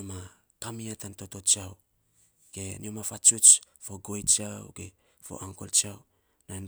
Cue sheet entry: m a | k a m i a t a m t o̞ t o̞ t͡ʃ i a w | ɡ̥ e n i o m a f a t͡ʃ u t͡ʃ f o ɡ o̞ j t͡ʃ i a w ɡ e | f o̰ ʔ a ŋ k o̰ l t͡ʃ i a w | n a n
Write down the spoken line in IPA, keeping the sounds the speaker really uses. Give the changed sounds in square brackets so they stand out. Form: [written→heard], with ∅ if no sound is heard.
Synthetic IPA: m a | k a m i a t a [m→n] t o̞ t o̞ t͡ʃ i a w | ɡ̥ e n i o m a f a t͡ʃ u t͡ʃ f o ɡ o̞ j t͡ʃ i a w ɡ e | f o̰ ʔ a ŋ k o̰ l t͡ʃ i a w | n a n